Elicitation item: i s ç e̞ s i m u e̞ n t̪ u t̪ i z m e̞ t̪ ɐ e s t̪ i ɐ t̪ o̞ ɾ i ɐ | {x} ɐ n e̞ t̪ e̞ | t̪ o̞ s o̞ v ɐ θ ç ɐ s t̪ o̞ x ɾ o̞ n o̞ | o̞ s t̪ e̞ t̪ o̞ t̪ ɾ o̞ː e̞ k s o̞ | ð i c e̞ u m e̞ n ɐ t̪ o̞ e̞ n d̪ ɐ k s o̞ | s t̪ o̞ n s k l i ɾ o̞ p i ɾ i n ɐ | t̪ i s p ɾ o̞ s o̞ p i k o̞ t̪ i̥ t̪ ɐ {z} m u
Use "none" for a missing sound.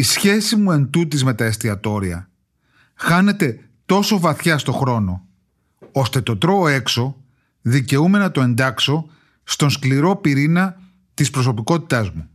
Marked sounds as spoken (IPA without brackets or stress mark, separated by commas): x, z